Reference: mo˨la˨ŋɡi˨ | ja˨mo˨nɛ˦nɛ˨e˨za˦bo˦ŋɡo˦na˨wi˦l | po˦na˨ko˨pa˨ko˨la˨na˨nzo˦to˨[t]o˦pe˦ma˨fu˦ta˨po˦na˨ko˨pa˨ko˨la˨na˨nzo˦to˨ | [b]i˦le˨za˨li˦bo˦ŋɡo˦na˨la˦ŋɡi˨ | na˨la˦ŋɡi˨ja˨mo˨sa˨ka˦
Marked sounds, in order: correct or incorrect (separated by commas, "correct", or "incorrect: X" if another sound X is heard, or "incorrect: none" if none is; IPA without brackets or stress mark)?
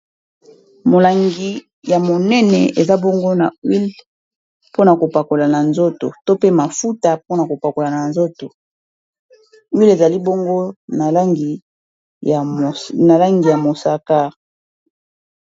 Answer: correct, incorrect: w